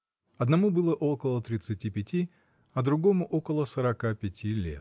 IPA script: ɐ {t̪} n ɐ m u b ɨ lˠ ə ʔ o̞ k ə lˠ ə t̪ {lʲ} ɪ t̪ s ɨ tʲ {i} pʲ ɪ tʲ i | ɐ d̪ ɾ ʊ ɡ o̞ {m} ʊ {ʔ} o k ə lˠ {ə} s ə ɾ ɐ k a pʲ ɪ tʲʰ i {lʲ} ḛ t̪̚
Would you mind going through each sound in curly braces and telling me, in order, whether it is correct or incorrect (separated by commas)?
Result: incorrect, incorrect, correct, correct, correct, correct, correct